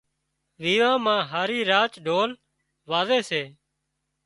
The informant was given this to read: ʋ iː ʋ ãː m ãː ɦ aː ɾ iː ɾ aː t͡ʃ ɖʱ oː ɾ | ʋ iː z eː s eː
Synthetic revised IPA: ʋ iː ʋ ãː m ãː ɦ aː ɾ iː ɾ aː t͡ʃ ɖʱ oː l | ʋ aː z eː s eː